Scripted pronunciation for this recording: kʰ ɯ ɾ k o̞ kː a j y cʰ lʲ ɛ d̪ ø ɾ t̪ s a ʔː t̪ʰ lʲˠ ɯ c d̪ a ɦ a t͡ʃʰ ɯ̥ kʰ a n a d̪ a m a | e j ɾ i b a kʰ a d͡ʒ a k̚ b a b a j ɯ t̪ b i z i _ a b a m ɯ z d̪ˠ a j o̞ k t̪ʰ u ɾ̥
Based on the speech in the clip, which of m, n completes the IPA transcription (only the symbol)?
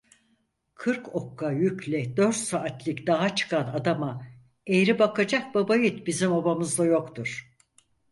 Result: m